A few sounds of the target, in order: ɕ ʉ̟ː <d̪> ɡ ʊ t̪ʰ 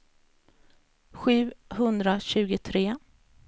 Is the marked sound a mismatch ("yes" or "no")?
yes